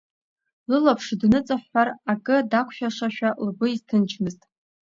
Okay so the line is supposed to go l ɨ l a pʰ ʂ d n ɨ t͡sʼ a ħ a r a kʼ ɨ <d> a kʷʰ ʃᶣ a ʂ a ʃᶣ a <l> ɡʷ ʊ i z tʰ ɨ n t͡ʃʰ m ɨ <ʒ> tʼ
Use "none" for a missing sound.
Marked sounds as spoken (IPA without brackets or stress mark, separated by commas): d, l, z